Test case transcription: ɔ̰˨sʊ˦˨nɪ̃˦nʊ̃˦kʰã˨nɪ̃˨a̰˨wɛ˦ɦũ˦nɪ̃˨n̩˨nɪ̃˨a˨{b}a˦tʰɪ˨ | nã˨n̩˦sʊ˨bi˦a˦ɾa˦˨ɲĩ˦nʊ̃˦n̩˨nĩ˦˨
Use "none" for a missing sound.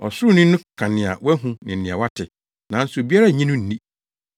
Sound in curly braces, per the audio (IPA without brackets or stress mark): w